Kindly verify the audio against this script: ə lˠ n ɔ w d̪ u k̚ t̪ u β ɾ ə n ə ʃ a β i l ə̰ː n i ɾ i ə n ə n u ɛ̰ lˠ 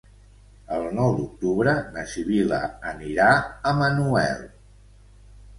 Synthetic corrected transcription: ə lˠ n ɔ w d̪ u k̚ t̪ u β ɾ ə n ə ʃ i β i l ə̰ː n i ɾ a ə m ə n u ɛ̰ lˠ

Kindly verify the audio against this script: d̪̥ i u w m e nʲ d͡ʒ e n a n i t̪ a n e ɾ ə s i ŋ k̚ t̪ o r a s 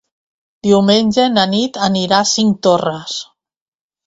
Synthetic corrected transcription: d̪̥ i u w m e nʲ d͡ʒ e n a n i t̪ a n i ɾ a s i ŋ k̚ t̪ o r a s

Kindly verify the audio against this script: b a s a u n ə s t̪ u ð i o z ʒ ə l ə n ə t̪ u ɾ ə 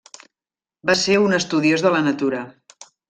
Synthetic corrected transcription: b a s e u n ə s t̪ u ð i o z ð ə l ə n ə t̪ u ɾ ə

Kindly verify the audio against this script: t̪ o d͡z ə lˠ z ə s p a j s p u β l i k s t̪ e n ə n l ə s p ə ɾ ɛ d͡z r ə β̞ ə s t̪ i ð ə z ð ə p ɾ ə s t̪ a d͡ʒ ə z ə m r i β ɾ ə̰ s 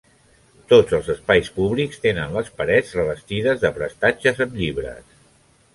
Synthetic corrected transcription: t̪ o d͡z ə lˠ z ə s p a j s p u β l i k s t̪ e n ə n l ə s p ə ɾ ɛ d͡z r ə β̞ ə s t̪ i ð ə z ð ə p ɾ ə s t̪ a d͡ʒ ə z ə m ʎ i β ɾ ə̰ s

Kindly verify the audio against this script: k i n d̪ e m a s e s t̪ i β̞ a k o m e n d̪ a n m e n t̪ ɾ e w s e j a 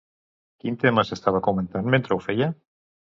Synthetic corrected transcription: k i n t̪ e m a s e s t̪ a β̞ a k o m e n t̪ a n m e n t̪ ɾ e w f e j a

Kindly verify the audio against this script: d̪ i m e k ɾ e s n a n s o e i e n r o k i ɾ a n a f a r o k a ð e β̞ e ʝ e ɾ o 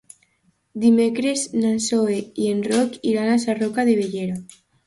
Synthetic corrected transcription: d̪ i m e k ɾ e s n a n s o e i e n r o k i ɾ a n a s a r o k a ð e β̞ e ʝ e ɾ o

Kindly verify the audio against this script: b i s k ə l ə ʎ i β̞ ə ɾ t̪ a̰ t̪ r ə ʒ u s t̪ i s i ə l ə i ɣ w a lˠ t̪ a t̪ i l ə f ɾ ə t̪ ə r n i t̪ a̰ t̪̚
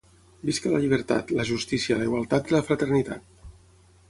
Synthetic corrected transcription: b i s k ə l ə ʎ i β̞ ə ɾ t̪ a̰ t̪ l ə ʒ u s t̪ i s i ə l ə i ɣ w a lˠ t̪ a t̪ i l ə f ɾ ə t̪ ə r n i t̪ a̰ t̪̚

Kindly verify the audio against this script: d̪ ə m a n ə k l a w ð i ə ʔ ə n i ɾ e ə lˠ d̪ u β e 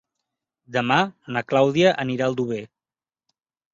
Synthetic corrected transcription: d̪ ə m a n ə k l a w ð i ə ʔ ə n i ɾ a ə lˠ d̪ u β e

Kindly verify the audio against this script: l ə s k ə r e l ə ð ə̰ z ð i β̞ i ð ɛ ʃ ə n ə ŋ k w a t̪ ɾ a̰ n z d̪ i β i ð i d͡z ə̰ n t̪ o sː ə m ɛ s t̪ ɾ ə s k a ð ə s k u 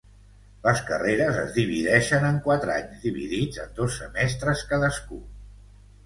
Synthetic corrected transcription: l ə s k ə r e ɾ ə z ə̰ z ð i β̞ i ð ɛ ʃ ə n ə ŋ k w a t̪ ɾ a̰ ɲ z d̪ i β i ð i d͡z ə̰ n d̪ o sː ə m ɛ s t̪ ɾ ə s k a ð ə s k u

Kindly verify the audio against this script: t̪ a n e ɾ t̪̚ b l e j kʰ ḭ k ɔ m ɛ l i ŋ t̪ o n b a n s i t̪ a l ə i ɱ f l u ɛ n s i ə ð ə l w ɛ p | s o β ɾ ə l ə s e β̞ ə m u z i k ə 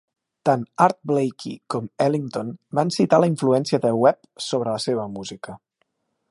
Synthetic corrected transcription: t̪ a n a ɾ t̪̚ b l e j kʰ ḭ k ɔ m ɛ l i ŋ t̪ o n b a n s i t̪ a l ə i ɱ f l u ɛ n s i ə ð ə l w ɛ p | s o β ɾ ə l ə s e β̞ ə m u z i k ə

